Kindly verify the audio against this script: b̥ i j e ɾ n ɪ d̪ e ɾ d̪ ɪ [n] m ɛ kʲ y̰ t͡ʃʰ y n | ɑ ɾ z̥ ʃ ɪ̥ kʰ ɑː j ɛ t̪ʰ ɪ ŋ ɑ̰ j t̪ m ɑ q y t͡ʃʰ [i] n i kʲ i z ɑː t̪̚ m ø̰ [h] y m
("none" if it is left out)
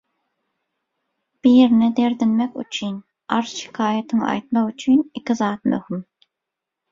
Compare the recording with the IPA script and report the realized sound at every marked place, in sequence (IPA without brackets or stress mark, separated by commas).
n, y, h